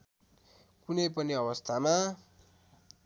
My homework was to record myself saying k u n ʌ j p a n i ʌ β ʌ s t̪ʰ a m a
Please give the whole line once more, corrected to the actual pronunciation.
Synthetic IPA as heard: k u n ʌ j p ʌ n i ʌ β ʌ s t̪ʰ a m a